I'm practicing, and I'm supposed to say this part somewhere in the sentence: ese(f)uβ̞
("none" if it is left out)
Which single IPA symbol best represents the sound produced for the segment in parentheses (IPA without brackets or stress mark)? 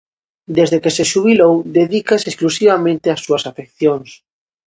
ʃ